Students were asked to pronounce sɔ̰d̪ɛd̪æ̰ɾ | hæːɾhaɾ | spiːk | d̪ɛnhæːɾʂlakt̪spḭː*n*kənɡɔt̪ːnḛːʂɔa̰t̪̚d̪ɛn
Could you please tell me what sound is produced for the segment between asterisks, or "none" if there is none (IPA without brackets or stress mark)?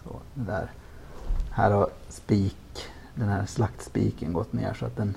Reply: none